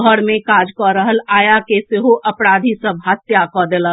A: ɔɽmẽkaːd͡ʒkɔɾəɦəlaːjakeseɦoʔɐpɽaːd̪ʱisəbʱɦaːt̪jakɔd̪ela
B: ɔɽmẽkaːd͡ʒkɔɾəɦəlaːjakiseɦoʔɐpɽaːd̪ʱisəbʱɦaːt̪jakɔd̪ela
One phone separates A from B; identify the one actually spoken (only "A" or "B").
A